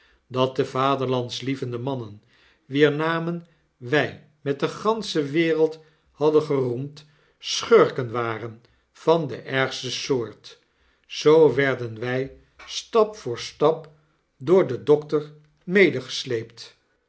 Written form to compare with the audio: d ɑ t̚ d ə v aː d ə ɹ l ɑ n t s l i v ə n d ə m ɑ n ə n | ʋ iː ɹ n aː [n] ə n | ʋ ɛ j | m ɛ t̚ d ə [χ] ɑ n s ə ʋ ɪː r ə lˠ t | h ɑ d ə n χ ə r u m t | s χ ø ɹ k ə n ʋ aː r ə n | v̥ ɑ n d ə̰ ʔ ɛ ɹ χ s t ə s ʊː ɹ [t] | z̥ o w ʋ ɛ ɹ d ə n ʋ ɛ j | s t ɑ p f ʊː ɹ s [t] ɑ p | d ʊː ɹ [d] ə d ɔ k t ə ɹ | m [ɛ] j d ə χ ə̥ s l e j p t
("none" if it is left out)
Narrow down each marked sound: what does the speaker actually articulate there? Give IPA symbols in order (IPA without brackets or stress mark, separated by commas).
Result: m, χ, t, t, d, e